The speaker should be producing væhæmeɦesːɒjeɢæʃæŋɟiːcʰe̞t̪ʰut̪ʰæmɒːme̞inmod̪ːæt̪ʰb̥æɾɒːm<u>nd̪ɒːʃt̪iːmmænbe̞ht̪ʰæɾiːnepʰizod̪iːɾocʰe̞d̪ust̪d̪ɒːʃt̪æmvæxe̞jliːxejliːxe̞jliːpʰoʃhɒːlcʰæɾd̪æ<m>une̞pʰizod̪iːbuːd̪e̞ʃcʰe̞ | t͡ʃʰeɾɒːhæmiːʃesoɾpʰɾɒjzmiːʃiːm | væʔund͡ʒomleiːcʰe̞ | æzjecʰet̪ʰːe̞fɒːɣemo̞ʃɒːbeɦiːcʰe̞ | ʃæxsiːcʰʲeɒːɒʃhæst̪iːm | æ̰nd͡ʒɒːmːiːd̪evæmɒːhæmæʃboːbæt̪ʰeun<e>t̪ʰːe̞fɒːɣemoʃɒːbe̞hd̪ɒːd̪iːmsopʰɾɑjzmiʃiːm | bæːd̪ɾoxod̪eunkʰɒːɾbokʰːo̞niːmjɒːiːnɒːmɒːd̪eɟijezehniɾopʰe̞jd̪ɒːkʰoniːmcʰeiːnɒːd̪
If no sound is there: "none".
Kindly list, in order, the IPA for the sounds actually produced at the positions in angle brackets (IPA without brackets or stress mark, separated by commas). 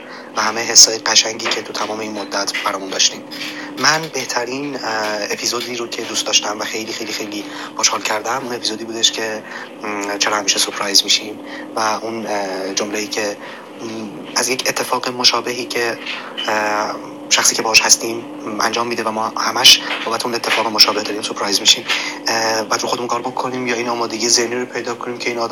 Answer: u, m, e